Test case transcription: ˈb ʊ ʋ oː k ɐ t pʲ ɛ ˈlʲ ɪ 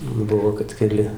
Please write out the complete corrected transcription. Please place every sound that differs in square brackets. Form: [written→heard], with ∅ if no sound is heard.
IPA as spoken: ˈb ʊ ʋ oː k ɐ t [pʲ→kʲ] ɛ ˈlʲ ɪ